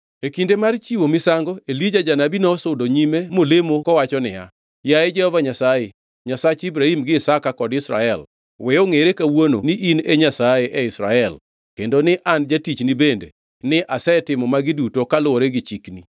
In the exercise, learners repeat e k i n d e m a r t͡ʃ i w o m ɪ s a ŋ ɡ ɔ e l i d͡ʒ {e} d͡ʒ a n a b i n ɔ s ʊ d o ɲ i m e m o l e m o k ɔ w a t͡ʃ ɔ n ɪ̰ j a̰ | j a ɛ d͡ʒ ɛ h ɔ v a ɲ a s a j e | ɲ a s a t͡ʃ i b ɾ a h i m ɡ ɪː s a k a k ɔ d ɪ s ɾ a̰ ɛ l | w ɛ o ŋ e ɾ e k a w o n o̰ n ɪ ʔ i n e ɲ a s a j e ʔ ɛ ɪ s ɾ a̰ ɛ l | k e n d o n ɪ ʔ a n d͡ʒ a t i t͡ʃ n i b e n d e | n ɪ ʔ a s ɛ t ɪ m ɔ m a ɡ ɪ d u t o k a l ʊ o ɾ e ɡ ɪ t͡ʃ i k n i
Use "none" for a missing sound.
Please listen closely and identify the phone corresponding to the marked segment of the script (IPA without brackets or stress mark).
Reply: a